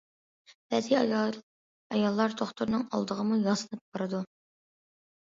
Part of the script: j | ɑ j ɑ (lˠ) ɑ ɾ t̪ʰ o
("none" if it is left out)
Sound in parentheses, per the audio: lˠː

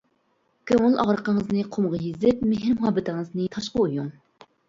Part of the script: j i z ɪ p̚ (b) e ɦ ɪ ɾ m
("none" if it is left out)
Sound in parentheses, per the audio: m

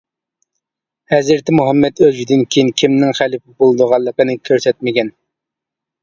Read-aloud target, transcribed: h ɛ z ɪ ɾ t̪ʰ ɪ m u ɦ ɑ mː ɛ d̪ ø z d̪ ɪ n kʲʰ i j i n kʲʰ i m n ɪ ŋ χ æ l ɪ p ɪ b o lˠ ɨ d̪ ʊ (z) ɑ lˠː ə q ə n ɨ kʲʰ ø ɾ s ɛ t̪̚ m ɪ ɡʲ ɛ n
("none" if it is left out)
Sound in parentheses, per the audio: ʁ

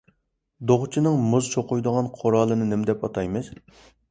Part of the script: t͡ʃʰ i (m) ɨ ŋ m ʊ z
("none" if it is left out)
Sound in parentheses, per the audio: n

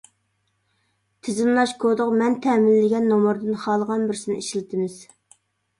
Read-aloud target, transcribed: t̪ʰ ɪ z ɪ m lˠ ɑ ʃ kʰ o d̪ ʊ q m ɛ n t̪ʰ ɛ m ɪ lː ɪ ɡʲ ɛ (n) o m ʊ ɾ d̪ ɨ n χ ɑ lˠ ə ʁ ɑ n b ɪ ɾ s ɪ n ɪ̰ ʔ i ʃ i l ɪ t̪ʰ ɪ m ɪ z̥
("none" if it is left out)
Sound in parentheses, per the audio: nː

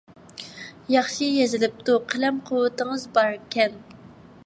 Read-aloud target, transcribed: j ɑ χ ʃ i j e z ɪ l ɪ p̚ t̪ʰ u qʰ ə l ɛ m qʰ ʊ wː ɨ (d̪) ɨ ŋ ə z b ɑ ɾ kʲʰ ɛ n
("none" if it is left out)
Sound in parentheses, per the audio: t̪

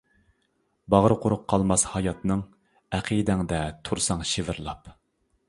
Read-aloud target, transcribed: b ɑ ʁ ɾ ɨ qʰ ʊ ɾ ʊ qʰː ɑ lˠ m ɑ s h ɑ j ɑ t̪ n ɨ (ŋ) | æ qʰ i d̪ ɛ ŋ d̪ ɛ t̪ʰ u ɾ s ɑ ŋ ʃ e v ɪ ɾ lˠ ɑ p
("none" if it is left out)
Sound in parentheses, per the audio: ŋ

